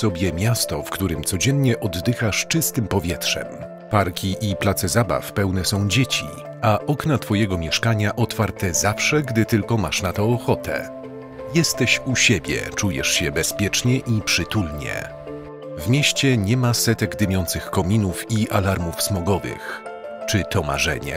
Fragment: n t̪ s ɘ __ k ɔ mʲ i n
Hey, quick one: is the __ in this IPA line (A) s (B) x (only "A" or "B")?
B